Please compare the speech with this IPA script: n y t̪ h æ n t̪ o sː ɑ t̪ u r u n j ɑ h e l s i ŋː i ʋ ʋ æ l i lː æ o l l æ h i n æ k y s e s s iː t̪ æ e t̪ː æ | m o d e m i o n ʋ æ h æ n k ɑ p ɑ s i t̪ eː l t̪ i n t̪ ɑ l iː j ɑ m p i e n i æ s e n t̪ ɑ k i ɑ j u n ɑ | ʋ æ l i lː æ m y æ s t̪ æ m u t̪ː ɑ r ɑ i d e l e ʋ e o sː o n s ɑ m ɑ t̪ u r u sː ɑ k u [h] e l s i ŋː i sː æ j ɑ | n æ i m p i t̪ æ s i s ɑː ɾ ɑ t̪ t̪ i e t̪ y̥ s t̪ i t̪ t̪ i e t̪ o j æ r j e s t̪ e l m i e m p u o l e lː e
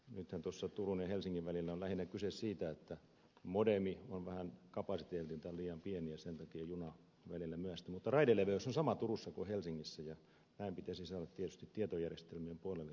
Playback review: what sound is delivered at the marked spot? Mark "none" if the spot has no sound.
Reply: h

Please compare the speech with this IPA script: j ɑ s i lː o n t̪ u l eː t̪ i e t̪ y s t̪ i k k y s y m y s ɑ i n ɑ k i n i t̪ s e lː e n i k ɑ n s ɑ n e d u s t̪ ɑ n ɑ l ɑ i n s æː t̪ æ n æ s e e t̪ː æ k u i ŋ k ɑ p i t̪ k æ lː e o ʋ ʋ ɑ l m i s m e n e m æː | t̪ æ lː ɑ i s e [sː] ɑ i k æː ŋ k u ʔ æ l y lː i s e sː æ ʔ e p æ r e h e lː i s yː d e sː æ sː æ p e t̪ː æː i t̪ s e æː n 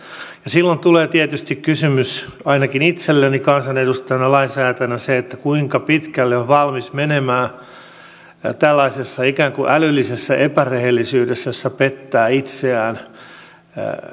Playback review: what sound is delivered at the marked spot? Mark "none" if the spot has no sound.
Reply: sː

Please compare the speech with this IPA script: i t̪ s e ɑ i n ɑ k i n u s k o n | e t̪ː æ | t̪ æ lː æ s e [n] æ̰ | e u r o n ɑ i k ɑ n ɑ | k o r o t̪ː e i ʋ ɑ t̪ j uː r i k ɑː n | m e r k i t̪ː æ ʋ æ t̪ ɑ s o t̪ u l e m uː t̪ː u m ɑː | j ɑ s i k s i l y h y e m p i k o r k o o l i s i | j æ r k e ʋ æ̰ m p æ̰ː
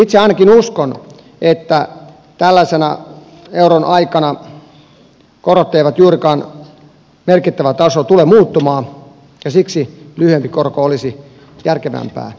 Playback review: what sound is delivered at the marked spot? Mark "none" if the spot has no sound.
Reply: n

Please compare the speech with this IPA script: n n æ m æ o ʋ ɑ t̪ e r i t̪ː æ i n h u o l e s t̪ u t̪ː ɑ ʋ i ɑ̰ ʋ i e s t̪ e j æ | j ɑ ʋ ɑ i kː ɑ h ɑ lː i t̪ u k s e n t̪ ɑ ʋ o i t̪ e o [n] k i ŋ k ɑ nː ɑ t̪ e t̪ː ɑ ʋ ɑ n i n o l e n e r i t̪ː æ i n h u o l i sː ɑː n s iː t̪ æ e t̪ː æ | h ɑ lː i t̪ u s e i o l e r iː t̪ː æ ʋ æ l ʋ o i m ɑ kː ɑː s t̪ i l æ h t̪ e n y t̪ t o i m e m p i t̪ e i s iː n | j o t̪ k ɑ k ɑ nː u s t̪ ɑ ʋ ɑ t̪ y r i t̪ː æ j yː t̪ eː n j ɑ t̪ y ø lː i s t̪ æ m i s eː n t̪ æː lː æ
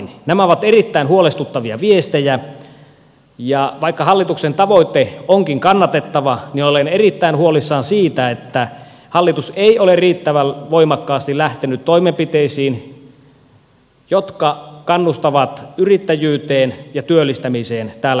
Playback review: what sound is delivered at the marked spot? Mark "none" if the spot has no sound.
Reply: ŋ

